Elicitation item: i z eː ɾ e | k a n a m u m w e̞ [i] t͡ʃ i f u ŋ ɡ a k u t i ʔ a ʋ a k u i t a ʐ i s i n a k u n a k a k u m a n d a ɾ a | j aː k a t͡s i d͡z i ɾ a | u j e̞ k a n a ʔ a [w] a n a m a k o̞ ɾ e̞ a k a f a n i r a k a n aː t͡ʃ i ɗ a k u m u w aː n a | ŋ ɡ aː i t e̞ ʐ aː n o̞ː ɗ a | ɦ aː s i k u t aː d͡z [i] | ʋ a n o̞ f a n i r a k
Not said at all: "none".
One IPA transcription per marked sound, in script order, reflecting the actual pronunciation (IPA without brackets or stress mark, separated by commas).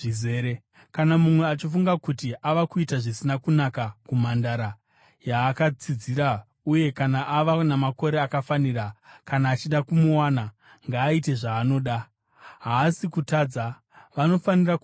a, ʋ, a